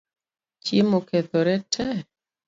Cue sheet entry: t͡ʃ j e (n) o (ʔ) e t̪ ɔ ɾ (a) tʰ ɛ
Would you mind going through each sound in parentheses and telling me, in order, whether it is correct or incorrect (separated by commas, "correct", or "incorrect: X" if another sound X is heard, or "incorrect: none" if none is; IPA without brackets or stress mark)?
incorrect: m, incorrect: k, incorrect: ɛ